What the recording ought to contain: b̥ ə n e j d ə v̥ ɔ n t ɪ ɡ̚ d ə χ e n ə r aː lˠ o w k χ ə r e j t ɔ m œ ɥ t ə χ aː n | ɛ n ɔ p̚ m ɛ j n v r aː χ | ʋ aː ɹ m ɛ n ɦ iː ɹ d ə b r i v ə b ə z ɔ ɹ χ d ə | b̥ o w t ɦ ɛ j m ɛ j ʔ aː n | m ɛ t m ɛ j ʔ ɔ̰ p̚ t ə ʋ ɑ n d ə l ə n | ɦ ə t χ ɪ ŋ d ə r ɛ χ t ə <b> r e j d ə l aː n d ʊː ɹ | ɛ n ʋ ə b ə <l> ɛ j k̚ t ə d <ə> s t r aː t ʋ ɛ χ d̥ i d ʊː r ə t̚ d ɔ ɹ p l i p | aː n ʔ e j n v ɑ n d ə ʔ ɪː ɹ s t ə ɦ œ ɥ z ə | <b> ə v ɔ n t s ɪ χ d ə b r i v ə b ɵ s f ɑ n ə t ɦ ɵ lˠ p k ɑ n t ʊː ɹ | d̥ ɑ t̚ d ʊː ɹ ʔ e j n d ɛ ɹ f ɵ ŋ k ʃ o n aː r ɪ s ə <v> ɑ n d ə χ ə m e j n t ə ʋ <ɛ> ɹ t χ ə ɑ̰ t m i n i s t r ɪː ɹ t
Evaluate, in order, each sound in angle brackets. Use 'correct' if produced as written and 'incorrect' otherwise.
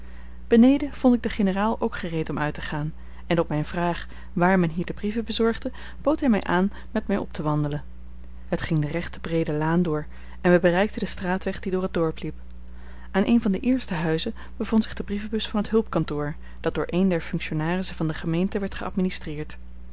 correct, incorrect, correct, correct, correct, correct

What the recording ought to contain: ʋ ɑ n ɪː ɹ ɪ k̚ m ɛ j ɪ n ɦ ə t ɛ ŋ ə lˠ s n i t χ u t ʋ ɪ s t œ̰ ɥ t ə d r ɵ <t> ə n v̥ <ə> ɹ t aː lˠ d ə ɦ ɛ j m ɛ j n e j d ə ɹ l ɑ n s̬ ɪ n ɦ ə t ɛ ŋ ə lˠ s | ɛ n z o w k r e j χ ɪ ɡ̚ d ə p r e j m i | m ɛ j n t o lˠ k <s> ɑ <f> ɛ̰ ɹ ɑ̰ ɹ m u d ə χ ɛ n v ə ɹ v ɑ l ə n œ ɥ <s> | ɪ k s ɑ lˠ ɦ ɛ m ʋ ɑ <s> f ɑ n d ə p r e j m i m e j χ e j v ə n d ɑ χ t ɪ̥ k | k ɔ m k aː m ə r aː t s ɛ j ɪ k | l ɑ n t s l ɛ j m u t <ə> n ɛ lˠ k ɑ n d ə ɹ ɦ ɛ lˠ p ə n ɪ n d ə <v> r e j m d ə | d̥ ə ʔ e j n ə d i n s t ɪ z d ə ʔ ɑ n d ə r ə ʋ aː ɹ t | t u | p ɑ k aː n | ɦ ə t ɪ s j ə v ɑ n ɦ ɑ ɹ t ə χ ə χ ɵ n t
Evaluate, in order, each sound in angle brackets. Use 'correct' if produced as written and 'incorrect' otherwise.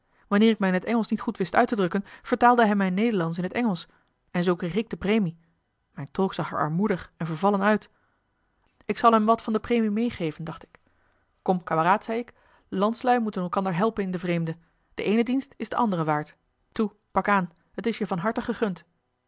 incorrect, correct, correct, incorrect, incorrect, incorrect, correct, correct

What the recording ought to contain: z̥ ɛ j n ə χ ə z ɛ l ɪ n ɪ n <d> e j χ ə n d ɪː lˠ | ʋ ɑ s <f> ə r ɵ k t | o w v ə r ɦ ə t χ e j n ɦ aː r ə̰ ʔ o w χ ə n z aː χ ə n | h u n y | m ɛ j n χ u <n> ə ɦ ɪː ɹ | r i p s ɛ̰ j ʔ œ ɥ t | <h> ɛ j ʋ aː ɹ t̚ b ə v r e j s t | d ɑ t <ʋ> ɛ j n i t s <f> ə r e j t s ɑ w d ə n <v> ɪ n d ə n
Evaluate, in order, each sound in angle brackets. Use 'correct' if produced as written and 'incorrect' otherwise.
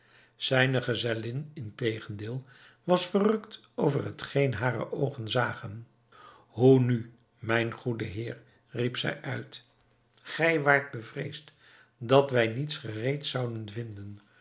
incorrect, correct, incorrect, incorrect, correct, incorrect, correct

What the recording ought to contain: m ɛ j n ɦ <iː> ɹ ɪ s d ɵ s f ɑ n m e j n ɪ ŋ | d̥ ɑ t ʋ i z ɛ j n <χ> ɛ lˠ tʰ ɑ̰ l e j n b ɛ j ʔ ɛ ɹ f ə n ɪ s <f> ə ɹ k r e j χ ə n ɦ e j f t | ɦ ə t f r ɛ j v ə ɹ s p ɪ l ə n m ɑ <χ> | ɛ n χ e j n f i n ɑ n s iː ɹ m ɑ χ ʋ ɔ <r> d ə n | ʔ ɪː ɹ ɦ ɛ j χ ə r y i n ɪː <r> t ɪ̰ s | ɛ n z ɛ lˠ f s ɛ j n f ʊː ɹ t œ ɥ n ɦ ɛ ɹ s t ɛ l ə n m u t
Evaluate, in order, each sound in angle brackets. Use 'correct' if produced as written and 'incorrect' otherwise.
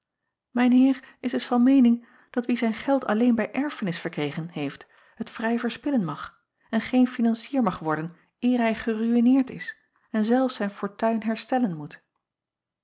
incorrect, correct, correct, correct, incorrect, incorrect

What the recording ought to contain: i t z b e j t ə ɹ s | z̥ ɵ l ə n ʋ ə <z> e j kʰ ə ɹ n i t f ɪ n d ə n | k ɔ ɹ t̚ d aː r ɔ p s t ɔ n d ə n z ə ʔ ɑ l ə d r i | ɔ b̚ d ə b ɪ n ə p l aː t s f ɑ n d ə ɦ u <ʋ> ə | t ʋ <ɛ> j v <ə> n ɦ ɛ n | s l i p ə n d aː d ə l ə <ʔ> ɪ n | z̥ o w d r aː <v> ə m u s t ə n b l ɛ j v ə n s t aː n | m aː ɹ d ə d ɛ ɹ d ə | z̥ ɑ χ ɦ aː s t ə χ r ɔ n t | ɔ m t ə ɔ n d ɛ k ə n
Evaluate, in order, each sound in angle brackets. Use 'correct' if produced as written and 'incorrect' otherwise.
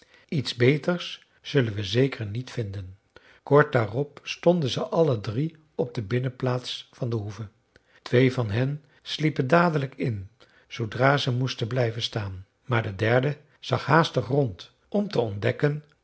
correct, incorrect, incorrect, incorrect, incorrect, incorrect

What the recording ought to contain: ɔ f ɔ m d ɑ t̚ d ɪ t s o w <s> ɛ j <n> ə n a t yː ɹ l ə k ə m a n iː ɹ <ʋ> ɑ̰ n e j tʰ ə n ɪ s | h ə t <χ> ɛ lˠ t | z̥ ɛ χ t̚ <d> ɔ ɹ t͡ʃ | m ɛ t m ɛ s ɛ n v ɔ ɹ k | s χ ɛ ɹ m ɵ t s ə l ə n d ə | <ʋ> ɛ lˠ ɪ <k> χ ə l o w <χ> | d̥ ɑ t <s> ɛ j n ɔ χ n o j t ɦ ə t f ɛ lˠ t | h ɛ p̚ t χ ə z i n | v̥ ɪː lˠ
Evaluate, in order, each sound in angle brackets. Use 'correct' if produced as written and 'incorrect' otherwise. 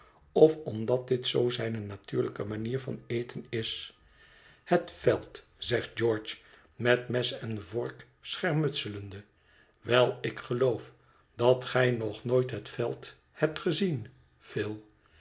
incorrect, correct, incorrect, incorrect, incorrect, correct, correct, incorrect, incorrect

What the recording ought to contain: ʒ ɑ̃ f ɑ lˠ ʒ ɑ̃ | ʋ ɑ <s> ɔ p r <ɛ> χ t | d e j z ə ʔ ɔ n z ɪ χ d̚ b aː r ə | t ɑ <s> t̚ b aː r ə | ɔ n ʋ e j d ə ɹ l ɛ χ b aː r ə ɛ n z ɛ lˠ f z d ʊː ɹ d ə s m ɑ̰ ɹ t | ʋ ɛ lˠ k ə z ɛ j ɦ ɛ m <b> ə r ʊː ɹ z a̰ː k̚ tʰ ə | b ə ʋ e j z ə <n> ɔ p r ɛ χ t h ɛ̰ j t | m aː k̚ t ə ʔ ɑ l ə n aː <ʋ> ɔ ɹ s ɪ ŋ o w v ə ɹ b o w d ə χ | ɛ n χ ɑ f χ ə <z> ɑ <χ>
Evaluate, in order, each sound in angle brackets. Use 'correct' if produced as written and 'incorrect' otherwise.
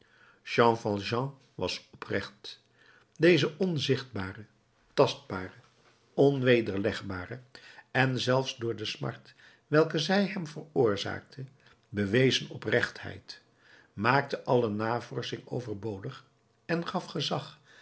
correct, correct, correct, incorrect, correct, incorrect, correct, correct

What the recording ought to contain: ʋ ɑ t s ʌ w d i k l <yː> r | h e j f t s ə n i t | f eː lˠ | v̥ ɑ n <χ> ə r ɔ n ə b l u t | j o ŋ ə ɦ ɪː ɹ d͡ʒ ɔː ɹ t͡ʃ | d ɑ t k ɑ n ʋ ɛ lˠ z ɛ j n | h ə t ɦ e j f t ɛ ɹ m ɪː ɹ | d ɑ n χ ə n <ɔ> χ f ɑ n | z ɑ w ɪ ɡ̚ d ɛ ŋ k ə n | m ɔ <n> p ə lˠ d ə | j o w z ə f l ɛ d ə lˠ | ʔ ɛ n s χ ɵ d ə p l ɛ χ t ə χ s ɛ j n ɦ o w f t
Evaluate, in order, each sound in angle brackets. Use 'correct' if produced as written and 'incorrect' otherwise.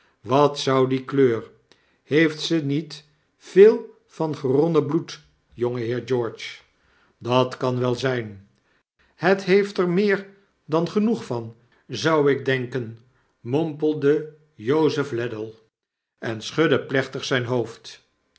incorrect, correct, incorrect, incorrect

